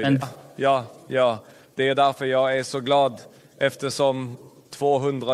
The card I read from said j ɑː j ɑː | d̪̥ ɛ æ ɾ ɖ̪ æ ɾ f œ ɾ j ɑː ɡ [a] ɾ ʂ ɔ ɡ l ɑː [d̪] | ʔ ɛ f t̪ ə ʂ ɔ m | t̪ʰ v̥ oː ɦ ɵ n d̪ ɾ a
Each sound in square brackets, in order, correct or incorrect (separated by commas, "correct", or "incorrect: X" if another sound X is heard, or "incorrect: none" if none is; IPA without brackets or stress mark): incorrect: æ, correct